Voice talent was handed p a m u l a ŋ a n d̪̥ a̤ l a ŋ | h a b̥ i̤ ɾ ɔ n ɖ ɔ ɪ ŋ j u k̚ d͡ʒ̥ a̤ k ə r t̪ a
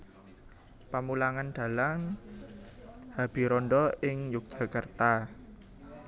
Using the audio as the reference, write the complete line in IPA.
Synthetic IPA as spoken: p a m u l a ŋ a n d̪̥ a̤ l a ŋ | h a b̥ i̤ ɾ ɔ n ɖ ɔ ɪ ŋ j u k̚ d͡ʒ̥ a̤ k ə r t̪ a